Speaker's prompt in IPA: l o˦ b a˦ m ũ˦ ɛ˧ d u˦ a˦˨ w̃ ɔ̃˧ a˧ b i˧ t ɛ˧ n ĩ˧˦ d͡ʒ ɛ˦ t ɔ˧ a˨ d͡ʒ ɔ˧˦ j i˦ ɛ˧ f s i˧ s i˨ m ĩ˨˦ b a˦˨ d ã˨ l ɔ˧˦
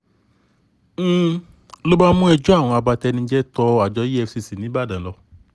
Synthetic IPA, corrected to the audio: l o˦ b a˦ m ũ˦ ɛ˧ d͡ʒ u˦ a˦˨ w̃ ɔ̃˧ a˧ b a˧ t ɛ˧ n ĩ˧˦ d͡ʒ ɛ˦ t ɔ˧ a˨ d͡ʒ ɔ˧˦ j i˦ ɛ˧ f s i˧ s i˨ n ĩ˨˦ b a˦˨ d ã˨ l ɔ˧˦